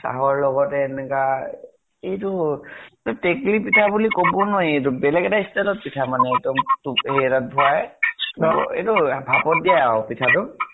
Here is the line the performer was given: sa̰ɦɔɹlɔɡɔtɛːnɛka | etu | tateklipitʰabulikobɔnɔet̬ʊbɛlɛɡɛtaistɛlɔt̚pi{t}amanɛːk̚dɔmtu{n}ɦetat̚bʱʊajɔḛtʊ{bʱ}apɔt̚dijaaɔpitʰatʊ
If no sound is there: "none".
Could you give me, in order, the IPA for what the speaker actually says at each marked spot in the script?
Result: tʰ, none, bʱ

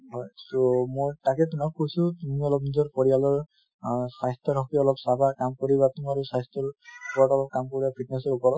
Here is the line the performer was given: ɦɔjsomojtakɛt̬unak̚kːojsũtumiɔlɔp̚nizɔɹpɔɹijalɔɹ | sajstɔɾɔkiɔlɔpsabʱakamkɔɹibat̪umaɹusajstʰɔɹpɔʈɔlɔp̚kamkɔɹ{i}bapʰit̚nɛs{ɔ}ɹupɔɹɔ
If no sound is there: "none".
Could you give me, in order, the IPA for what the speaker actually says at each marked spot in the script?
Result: i, ɔ

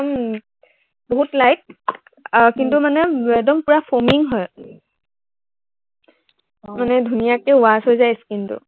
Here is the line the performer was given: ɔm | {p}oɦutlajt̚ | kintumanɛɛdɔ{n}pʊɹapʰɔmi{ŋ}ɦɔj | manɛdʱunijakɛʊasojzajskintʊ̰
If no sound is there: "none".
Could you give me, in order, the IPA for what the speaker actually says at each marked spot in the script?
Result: b, m, ŋ

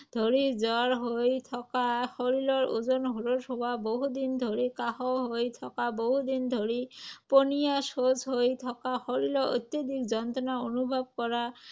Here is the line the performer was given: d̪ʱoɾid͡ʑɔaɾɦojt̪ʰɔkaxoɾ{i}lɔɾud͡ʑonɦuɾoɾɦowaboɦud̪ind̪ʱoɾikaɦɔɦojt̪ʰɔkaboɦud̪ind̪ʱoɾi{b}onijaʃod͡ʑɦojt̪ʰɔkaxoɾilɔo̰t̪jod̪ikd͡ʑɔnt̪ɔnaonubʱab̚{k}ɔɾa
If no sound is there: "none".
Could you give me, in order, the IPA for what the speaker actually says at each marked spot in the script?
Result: i, p, k

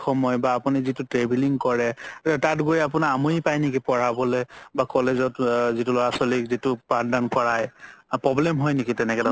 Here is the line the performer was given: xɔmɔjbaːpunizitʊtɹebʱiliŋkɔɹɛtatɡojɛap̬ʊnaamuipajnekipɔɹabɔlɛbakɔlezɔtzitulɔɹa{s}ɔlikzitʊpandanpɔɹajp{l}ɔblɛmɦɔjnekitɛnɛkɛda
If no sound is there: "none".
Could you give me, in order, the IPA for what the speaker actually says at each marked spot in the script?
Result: s, ɹ

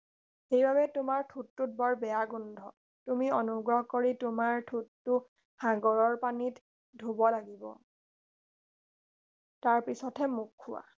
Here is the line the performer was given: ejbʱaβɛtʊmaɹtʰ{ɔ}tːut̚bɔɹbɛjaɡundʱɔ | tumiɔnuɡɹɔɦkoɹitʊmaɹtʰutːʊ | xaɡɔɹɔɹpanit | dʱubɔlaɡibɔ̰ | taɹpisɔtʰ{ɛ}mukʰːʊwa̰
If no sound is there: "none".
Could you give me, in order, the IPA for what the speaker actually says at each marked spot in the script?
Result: u, ɛ

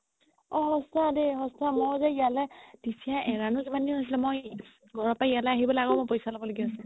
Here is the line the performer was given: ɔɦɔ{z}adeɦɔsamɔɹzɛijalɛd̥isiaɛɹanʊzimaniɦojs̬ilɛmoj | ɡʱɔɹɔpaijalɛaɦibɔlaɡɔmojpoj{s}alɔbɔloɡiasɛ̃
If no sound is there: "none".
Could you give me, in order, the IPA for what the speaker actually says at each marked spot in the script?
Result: s, s

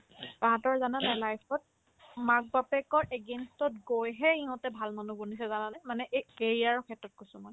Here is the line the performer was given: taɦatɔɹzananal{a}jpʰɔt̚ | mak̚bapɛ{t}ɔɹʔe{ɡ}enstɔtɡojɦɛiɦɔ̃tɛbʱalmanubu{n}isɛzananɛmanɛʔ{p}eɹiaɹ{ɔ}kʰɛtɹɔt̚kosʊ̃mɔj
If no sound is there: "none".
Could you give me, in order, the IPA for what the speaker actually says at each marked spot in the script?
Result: a, k, ɡ, n, k, ɔ

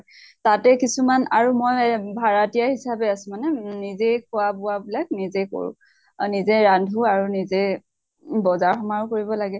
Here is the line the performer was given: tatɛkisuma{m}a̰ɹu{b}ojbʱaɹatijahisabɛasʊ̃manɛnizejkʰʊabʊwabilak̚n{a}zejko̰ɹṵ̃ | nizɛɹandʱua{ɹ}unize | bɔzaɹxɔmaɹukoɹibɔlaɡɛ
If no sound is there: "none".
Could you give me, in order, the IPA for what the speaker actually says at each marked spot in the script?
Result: n, m, i, ɹ

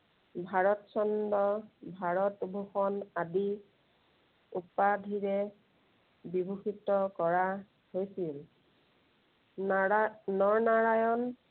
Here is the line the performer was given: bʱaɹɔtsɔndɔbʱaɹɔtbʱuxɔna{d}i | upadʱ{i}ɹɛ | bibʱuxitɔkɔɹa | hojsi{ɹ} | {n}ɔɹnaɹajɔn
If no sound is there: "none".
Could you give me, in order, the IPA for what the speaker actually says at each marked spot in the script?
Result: d, i, l, n

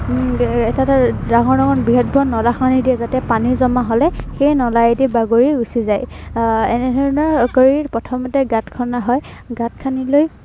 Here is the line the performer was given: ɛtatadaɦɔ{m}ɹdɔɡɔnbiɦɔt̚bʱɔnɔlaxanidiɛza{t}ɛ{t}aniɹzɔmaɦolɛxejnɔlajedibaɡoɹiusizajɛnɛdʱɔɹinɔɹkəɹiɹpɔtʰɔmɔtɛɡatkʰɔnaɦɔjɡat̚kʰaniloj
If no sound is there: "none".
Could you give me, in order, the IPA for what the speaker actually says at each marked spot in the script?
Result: none, t, p

